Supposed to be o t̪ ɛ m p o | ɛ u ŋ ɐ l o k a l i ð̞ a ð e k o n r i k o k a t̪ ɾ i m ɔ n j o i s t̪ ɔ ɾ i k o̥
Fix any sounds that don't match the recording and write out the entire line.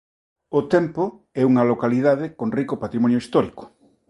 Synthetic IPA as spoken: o t̪ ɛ m p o | ɛ u ŋ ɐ l o k a l i ð̞ a ð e k o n r i k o p a t̪ ɾ i m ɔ n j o i s t̪ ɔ ɾ i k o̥